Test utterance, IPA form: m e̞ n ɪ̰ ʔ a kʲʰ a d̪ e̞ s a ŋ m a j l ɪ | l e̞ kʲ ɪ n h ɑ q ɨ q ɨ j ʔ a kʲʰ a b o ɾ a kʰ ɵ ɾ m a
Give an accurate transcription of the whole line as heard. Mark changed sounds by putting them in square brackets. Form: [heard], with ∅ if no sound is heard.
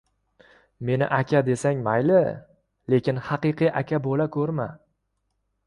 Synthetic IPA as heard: m e̞ n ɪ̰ ʔ a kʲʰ a d̪ e̞ s a ŋ m a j l ɪ | l e̞ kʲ ɪ n h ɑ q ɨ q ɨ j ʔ a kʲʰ a b o [l] a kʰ ɵ ɾ m a